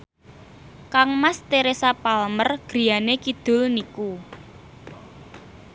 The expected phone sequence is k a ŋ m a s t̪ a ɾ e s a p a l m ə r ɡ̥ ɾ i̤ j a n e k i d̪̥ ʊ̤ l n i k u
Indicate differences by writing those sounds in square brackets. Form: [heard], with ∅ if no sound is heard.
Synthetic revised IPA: k a ŋ m a s t̪ [e] ɾ e s a p a l m ə r ɡ̥ ɾ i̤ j a n e k i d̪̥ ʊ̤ l n i k u